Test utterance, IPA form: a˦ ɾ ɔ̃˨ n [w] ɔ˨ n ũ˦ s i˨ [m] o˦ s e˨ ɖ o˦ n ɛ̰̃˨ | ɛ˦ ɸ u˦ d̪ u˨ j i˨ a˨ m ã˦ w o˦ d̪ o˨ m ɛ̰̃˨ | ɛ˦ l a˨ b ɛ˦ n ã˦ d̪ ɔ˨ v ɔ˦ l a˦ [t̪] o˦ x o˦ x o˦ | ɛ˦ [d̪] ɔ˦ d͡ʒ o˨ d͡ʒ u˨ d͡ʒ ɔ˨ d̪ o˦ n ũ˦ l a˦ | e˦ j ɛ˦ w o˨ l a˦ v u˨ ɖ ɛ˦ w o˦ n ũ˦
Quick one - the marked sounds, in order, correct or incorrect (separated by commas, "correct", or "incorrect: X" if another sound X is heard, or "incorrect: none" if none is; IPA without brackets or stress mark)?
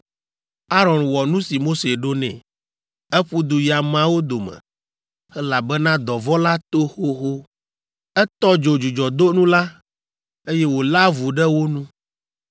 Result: correct, correct, correct, incorrect: t̪